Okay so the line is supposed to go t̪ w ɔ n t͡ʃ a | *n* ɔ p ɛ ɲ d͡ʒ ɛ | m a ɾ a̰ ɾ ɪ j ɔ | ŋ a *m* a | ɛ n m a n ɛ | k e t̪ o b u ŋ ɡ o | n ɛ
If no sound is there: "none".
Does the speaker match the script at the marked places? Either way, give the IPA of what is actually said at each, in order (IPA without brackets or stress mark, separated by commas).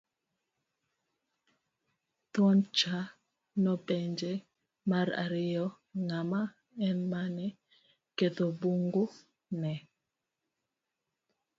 n, m